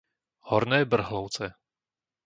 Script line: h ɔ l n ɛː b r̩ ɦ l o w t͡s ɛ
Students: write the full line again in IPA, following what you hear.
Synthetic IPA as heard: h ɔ ɾ n ɛː b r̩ ɦ l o w t͡s ɛ